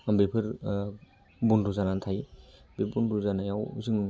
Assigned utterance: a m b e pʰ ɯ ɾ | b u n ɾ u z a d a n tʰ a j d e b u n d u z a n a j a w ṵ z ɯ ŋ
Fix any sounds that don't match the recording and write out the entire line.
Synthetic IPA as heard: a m b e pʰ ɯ ɾ | b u n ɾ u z a n a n tʰ a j b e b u n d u z a n a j a w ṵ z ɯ ŋ